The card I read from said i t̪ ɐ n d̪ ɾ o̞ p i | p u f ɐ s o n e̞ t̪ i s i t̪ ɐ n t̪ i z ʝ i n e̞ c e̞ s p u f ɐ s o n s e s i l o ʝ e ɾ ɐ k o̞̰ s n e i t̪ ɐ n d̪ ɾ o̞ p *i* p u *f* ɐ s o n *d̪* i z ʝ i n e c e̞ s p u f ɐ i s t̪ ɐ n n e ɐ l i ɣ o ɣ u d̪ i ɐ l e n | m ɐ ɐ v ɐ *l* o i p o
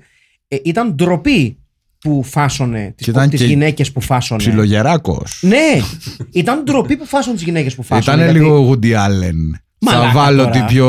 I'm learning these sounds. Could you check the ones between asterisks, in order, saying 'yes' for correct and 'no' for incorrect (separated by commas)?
yes, yes, no, yes